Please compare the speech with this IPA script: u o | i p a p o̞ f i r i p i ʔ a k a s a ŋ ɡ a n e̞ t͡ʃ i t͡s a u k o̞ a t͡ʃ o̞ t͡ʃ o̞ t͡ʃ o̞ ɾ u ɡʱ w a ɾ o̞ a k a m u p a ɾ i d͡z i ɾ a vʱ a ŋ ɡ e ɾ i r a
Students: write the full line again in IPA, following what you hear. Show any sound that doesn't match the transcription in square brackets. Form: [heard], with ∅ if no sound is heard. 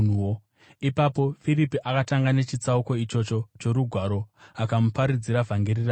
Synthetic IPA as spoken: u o | i p a p o̞ f i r i p i ʔ a k a [t] a ŋ ɡ a n e̞ t͡ʃ i t͡s a u k o̞ [i] t͡ʃ o̞ t͡ʃ o̞ t͡ʃ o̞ ɾ u ɡʱ w a ɾ o̞ a k a m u p a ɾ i d͡z i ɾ a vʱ a ŋ ɡ e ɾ i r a